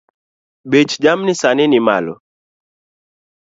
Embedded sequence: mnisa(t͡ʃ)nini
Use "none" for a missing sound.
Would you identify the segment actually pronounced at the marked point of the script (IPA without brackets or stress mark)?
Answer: none